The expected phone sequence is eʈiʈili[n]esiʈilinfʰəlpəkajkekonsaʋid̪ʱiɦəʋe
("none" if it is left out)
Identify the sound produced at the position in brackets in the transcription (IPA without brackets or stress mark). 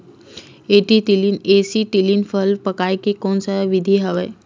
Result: n